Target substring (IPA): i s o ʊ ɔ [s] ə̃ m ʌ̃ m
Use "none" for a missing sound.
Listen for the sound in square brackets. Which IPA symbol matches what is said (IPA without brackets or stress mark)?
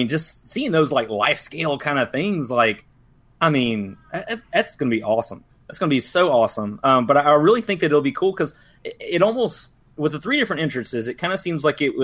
s